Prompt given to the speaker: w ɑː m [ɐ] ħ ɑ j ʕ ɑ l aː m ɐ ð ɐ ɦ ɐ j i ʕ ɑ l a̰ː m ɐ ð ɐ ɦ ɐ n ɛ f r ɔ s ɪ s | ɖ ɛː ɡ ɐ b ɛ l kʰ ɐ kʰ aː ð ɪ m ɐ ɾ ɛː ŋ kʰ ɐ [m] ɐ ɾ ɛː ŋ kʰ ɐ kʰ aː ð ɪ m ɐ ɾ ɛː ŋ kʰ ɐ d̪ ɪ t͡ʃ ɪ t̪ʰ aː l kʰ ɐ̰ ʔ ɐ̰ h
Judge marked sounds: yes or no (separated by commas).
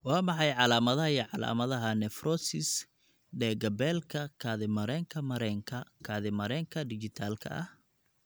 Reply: no, yes